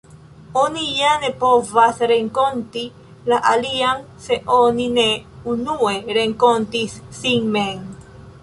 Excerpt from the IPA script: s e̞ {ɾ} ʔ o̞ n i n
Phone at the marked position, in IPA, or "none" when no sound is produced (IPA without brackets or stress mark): none